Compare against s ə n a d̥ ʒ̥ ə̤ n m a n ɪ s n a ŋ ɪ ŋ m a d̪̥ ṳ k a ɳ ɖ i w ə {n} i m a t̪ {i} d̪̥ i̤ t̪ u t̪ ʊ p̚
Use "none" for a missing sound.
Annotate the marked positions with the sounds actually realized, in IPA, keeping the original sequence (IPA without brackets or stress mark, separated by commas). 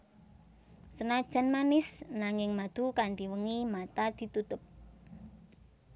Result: ŋ, a